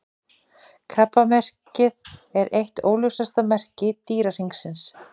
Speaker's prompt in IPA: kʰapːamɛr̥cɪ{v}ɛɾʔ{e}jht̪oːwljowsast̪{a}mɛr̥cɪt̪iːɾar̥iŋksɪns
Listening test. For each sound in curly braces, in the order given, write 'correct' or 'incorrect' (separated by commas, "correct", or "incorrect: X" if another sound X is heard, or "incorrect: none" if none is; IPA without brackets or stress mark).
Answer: incorrect: ð, correct, correct